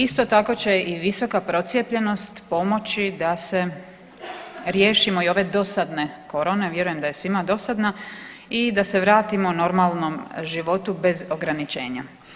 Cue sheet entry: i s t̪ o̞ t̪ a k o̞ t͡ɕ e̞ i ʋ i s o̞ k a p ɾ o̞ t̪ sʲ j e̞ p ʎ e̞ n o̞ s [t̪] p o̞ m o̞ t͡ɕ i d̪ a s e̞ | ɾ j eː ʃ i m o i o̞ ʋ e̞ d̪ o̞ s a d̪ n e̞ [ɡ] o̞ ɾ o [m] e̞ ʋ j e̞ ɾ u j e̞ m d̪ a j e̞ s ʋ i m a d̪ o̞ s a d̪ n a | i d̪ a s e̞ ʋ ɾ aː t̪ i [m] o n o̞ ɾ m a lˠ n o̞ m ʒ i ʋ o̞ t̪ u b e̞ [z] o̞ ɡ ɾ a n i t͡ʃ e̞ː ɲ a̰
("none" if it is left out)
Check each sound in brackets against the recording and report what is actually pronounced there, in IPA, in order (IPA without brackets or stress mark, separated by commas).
t̪, k, n, m, z